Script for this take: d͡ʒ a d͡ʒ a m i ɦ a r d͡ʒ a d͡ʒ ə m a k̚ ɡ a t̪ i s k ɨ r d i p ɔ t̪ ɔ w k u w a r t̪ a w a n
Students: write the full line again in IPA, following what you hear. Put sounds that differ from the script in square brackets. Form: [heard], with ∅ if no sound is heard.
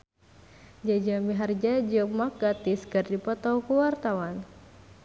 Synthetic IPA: d͡ʒ a d͡ʒ a m i ɦ a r d͡ʒ a d͡ʒ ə m a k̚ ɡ a t̪ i s k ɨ r d i p ɔ t̪ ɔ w k u w a r t̪ a w a n